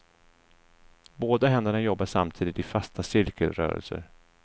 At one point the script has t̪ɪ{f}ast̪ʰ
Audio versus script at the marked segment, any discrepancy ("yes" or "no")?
no